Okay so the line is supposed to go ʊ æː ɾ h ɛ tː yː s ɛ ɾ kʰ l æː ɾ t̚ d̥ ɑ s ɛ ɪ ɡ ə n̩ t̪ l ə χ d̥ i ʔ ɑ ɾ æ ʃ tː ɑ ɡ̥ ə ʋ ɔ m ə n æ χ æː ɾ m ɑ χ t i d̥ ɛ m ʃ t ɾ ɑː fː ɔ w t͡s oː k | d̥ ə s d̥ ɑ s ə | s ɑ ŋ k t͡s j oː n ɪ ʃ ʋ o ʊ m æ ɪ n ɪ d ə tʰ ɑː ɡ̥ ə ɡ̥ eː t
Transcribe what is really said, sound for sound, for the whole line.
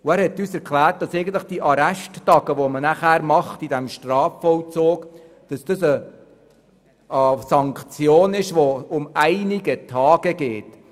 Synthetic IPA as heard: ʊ æː ɾ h ɛ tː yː s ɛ ɾ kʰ l æː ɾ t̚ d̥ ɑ s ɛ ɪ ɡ ə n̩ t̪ l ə χ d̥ i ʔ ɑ ɾ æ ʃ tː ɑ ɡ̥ ə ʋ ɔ m ə n æ χ æː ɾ m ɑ χ t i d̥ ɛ m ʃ t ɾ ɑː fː ɔ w t͡s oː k | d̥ ɑ s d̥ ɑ s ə | s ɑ ŋ k t͡s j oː n ɪ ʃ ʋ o ʊ m æ ɪ n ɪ ɡ ə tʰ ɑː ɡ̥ ə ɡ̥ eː t